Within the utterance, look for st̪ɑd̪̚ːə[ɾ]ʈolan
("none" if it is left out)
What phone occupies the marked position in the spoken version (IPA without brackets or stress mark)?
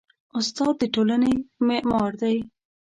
none